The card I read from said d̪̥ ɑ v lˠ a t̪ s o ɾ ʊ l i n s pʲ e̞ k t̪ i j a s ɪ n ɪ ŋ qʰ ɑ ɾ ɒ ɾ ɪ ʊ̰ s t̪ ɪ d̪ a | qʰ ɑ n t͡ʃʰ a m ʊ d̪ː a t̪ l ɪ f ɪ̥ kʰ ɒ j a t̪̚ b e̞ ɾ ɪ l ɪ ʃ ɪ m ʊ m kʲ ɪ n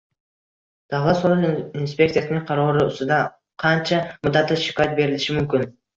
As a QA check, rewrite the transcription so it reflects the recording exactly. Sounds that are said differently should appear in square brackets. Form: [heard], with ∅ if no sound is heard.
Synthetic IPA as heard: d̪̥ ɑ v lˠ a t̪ s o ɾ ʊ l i n s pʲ e̞ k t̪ i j a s ɪ n ɪ ŋ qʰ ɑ ɾ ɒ ɾ ɪ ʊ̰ s t̪ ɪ d̪ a | qʰ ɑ n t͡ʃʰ a m ʊ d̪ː a t̪ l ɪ [ʃ] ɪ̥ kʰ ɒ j a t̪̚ b e̞ ɾ ɪ l ɪ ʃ ɪ m ʊ m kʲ ɪ n